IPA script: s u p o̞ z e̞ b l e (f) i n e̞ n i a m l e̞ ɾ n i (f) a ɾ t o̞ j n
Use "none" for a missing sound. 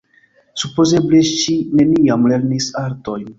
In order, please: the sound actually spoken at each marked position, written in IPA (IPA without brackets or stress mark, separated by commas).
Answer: ʃ, s